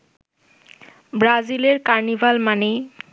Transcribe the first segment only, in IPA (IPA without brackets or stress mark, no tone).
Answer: b